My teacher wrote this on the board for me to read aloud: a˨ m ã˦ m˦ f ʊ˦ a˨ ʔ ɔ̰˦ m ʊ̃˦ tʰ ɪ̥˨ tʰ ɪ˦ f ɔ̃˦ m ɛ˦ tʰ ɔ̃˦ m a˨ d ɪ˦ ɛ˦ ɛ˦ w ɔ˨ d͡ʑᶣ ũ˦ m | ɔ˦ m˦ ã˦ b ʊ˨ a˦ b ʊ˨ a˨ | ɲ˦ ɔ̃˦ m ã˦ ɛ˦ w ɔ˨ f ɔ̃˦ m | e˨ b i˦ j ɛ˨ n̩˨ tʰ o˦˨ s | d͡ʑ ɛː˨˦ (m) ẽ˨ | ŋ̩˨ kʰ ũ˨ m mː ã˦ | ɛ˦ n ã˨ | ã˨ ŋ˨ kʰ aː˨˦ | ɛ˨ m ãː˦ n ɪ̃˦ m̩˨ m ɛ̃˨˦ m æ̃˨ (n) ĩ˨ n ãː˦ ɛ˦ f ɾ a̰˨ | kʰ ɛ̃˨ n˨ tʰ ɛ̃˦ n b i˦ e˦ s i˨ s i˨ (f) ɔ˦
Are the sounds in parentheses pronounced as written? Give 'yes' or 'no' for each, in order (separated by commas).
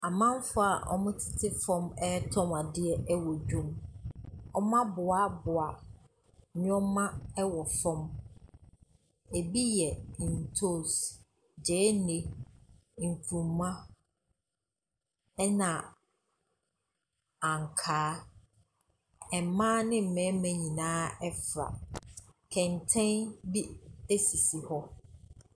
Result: no, no, no